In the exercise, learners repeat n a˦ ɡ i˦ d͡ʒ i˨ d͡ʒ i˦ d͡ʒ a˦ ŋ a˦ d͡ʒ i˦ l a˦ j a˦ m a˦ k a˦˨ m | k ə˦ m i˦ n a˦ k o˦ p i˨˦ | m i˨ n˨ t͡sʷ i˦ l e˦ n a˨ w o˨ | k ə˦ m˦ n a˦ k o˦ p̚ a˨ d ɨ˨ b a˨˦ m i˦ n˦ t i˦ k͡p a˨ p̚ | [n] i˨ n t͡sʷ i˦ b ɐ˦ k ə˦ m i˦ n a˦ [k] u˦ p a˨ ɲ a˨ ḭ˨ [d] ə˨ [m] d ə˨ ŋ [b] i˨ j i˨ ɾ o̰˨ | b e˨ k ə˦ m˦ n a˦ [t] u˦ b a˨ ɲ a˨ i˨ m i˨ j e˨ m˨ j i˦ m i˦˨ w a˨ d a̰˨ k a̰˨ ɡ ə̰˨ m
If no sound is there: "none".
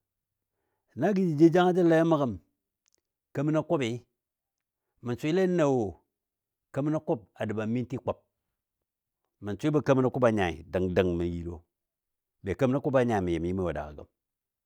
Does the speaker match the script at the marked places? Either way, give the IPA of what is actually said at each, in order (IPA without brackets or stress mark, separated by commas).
m, k, d, ŋ, m, k